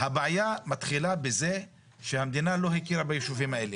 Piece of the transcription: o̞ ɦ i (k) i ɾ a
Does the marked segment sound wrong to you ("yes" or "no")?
no